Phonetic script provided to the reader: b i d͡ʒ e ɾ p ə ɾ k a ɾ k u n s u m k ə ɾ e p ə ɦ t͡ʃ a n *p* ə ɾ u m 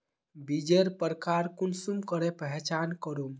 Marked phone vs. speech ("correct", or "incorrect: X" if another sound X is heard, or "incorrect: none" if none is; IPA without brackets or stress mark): incorrect: k